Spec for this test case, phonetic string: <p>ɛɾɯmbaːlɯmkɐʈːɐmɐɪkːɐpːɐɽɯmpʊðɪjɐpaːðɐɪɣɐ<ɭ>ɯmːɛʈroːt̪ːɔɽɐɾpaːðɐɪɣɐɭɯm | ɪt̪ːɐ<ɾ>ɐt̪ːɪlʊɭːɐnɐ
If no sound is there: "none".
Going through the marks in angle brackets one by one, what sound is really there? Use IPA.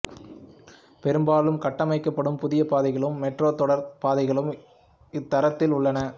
p, ɭ, ɾ

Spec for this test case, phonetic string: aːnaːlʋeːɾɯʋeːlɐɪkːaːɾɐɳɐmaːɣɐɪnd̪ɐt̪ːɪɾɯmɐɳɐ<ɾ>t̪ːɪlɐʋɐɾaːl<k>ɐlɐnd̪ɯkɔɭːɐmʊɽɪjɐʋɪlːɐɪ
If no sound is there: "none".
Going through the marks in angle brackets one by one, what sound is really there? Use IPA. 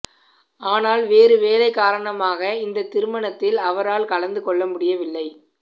none, k

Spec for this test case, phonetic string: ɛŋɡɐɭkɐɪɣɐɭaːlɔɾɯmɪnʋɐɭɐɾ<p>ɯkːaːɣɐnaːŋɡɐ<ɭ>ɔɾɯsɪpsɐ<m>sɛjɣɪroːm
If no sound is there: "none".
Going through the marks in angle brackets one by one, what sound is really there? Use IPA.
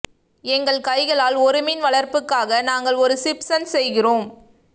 p, ɭ, n

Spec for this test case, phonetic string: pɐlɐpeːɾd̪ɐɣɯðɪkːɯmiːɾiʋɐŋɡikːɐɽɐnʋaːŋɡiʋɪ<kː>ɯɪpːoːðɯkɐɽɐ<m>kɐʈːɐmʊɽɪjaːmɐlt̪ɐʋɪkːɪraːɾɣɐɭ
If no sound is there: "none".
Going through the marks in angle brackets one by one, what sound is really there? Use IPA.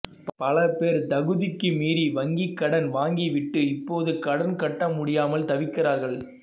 ʈː, n

